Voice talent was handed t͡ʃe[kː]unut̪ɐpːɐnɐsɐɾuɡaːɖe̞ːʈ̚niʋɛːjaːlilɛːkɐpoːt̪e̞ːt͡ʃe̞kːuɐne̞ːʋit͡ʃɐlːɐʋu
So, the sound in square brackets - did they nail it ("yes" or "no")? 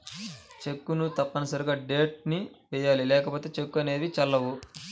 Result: yes